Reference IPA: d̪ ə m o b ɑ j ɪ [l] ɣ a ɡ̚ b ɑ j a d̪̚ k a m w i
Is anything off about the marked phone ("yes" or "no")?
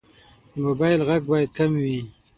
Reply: no